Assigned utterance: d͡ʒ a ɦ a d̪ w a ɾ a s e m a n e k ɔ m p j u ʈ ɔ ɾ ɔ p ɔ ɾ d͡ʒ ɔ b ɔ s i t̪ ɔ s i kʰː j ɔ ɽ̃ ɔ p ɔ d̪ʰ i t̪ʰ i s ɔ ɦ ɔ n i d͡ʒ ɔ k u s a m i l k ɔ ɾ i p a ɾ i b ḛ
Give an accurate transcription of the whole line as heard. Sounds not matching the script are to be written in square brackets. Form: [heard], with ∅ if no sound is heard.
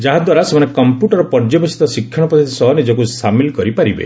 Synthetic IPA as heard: d͡ʒ a ɦ a d̪ w a ɾ a s e m a n e k ɔ m p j u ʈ ɔ ɾ ɔ p ɔ ɾ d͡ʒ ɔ b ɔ s i t̪ ɔ s i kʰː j ɔ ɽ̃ ɔ p ɔ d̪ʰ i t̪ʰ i s ɔ ɦ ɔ n i d͡ʒ ɔ k u s a m i l k ɔ ɾ i p a ɾ i b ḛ

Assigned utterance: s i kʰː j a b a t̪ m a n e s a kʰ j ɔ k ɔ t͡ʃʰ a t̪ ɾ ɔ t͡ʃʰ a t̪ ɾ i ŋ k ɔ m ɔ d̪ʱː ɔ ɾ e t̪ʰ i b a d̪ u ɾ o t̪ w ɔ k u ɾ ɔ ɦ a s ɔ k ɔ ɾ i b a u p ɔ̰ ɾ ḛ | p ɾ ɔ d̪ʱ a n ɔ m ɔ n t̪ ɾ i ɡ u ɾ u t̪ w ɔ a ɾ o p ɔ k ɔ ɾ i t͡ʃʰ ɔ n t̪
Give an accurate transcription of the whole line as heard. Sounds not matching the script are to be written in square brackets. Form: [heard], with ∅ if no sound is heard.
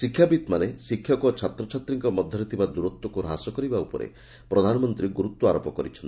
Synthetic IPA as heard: s i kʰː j a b [i] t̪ m a n e s [i] kʰ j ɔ k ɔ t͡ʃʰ a t̪ ɾ ɔ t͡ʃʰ a t̪ ɾ i ŋ k ɔ m ɔ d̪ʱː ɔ ɾ [i] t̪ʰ i b a d̪ u ɾ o t̪ w ɔ k u ɾ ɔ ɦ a s ɔ k ɔ ɾ i b a u p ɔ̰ ɾ ḛ | p ɾ ɔ d̪ʱ a n ɔ m ɔ n t̪ ɾ i ɡ u ɾ u t̪ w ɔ a ɾ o p ɔ k ɔ ɾ i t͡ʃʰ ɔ n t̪

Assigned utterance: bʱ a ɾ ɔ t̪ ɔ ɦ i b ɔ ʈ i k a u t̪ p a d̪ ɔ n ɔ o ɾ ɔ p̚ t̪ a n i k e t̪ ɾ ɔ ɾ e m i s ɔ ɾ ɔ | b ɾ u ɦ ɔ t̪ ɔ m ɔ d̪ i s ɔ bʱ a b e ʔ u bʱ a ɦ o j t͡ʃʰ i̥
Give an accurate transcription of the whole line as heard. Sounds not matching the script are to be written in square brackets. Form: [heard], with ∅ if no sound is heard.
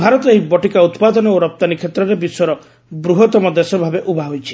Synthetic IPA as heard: bʱ a ɾ ɔ t̪ ɔ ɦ i b ɔ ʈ i k a u t̪ p a d̪ ɔ n ɔ o ɾ ɔ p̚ t̪ a n i [kʰ] e t̪ ɾ ɔ ɾ e [b] i s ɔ ɾ ɔ | b ɾ u ɦ ɔ t̪ ɔ m ɔ d̪ [e] s ɔ bʱ a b e ʔ u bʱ a ɦ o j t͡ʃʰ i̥

